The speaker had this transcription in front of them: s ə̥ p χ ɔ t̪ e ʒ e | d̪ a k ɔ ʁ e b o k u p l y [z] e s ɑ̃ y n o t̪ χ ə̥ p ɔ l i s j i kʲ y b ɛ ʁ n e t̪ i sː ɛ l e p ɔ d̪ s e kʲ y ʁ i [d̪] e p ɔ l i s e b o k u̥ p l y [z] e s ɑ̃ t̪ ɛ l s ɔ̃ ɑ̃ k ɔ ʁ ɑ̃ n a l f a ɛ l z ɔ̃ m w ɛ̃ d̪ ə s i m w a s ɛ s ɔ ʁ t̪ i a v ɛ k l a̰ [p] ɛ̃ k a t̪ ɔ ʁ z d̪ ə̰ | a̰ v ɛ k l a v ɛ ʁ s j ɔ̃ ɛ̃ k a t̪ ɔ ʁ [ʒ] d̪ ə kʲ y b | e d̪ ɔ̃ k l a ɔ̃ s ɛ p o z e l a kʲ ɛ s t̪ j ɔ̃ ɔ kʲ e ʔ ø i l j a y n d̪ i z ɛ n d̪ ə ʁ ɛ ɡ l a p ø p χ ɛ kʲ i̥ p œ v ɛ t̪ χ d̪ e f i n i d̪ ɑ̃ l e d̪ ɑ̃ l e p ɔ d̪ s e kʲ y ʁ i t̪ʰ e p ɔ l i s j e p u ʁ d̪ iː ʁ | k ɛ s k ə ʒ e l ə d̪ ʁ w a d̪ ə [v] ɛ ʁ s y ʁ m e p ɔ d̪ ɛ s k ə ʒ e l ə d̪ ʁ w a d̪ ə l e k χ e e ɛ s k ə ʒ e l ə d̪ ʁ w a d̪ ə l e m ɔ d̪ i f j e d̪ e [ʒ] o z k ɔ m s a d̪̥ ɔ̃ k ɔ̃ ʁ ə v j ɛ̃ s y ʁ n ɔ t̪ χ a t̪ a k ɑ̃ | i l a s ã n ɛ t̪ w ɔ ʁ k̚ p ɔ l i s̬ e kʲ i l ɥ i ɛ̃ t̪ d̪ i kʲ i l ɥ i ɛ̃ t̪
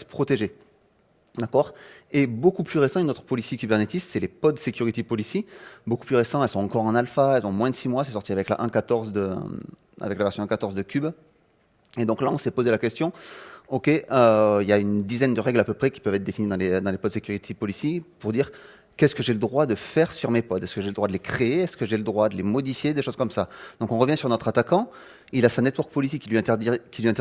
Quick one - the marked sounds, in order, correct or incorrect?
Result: incorrect: ʁ, incorrect: t̪, incorrect: ʁ, incorrect: ʔ, incorrect: z, incorrect: f, incorrect: ʃ

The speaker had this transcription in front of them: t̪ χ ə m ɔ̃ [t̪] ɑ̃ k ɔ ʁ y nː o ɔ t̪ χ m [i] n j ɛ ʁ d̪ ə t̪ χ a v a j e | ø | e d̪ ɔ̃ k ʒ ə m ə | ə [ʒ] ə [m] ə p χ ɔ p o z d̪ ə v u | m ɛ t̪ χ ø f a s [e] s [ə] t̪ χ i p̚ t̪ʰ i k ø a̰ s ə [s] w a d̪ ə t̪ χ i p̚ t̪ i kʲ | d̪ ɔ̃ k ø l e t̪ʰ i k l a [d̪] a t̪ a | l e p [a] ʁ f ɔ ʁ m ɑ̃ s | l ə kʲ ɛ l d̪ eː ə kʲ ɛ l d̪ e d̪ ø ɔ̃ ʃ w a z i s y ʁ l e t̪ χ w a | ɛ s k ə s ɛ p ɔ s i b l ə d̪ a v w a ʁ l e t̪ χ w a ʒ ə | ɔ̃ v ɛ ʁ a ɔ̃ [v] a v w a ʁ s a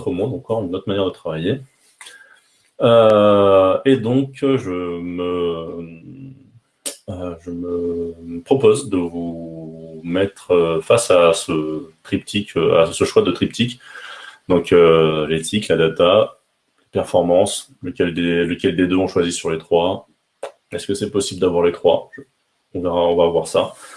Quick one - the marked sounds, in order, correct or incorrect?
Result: incorrect: d̪, incorrect: a, correct, correct, incorrect: a, correct, incorrect: ʃ, correct, incorrect: ɛ, correct

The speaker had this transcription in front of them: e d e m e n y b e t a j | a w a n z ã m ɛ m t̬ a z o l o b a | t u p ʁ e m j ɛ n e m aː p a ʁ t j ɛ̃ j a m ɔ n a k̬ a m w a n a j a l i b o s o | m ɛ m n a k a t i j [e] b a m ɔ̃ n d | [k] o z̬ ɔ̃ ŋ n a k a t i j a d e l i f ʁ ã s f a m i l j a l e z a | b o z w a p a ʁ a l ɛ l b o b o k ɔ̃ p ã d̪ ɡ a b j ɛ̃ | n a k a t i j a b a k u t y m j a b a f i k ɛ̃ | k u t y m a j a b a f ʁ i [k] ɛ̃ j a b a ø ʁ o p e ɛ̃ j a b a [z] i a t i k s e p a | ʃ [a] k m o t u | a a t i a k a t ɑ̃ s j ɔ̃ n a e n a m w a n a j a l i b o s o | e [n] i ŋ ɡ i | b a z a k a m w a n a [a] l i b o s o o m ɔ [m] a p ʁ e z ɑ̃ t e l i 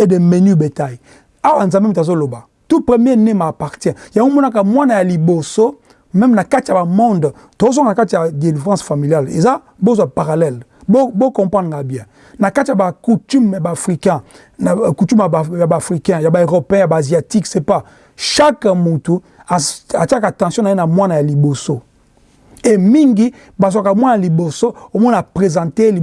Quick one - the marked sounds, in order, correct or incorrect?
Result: incorrect: a, incorrect: t, correct, correct, correct, incorrect: m, correct, incorrect: n

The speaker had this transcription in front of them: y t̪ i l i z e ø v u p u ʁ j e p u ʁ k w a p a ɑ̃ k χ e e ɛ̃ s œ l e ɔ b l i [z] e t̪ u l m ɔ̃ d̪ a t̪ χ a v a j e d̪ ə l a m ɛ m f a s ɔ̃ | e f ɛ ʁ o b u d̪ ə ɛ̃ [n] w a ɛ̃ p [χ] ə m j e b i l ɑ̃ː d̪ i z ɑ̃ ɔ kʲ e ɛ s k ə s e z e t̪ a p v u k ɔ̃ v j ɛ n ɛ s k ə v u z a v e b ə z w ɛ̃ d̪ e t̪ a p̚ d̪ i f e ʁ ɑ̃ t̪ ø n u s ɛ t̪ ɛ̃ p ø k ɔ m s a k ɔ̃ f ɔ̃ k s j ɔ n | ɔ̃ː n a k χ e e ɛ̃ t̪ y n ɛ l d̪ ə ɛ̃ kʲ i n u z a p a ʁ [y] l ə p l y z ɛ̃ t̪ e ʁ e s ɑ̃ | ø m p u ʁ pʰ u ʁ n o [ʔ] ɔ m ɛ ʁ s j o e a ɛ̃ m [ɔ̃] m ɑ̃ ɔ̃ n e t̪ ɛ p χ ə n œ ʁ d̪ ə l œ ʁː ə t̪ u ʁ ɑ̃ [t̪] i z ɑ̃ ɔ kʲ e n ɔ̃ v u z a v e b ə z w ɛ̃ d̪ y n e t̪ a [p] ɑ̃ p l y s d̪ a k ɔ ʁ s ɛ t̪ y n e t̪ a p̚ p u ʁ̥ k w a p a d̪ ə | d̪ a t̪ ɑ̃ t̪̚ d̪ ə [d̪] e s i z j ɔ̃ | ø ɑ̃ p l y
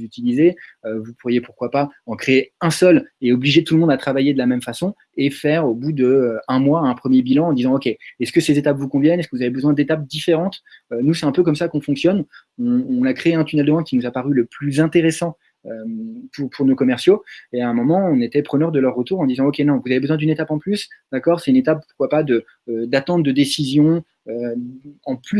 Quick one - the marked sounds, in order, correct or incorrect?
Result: incorrect: ʒ, incorrect: m, correct, correct, incorrect: k, incorrect: ɔ, incorrect: d̪, correct, correct

